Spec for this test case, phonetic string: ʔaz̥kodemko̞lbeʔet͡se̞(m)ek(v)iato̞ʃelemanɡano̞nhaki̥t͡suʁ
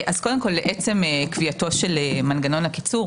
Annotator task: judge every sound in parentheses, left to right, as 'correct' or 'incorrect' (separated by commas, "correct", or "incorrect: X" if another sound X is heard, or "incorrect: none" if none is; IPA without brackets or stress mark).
correct, correct